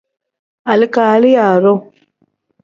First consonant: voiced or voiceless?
voiced